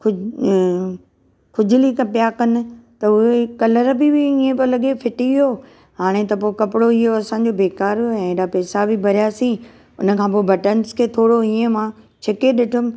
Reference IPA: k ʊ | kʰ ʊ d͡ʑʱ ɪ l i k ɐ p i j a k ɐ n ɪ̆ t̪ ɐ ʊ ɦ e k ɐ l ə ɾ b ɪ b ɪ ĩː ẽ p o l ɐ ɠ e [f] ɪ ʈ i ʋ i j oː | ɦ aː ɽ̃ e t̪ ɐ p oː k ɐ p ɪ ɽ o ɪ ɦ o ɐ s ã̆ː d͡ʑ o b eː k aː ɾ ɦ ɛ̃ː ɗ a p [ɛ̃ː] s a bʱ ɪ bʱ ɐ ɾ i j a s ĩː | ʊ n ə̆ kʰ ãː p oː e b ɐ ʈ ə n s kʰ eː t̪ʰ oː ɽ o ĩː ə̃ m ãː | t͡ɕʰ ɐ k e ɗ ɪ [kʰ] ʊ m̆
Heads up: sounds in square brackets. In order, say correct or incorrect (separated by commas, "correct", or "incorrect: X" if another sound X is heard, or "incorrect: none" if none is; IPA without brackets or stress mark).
correct, incorrect: ɛː, incorrect: ʈʰ